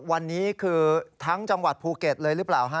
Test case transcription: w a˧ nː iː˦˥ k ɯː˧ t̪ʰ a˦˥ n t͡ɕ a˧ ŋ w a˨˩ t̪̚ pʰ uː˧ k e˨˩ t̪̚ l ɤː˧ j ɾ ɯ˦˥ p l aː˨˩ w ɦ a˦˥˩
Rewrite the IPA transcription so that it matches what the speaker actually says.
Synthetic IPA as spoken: w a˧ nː iː˦˥ kʰ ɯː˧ t̪ʰ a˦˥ ŋ t͡ɕ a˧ ŋ w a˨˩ t̪̚ pʰ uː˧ k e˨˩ t̪̚ l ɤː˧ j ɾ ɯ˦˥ p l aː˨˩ w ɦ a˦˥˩